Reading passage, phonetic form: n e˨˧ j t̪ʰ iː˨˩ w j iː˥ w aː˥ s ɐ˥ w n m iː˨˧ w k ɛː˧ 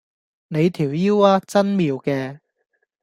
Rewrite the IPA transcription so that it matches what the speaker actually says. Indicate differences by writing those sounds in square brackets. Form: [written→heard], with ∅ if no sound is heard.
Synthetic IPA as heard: n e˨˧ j t̪ʰ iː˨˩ w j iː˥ w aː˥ [s→t͡s] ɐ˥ [w→∅] n m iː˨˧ w k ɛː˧